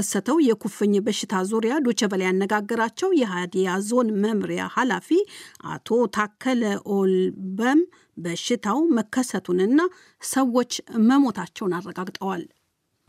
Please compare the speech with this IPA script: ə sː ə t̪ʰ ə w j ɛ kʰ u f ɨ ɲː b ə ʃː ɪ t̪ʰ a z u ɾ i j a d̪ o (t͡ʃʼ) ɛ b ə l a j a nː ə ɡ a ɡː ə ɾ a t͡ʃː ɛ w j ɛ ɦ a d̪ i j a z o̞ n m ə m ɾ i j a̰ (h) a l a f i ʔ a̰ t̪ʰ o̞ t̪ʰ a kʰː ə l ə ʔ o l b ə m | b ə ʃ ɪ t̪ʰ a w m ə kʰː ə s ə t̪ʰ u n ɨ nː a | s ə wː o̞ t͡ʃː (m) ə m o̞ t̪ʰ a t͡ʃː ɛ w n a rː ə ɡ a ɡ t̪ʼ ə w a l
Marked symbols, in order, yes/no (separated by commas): no, yes, yes